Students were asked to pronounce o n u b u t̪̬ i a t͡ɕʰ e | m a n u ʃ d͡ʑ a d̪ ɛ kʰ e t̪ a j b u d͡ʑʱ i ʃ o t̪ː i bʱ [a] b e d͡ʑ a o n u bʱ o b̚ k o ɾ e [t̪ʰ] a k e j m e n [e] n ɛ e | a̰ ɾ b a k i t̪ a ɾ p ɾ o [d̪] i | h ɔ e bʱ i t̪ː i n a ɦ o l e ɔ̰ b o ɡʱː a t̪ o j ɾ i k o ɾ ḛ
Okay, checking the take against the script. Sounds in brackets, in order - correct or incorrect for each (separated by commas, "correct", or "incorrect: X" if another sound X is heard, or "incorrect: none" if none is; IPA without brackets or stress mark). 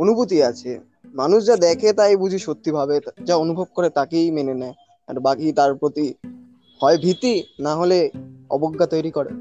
correct, incorrect: t̪, correct, incorrect: t̪